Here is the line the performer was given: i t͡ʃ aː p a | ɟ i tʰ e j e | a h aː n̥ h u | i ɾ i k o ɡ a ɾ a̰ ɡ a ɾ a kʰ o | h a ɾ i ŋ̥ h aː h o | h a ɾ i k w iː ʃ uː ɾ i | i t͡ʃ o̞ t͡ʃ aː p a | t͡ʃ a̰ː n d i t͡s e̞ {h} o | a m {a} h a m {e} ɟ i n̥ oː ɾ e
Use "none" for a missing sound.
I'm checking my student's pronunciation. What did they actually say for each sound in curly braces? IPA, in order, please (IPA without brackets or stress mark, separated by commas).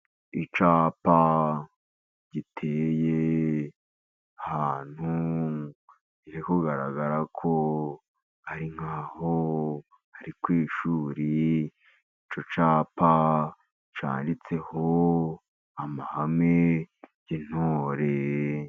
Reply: h, a, e